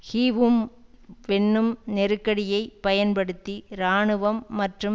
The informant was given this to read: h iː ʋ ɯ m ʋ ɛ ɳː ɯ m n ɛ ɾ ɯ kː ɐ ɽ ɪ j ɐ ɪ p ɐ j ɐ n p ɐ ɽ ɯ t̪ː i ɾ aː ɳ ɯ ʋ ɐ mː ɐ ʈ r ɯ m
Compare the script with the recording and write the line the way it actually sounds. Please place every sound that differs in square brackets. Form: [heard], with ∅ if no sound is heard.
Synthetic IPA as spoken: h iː ʋ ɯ m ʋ ɛ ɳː ɯ m n ɛ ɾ ɯ kː ɐ ɽ ɪ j ɐ ɪ p ɐ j ɐ n p ɐ ɽ ɯ t̪ː i ɾ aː ɳ ɯ ʋ ɐ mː ɐ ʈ r ɯ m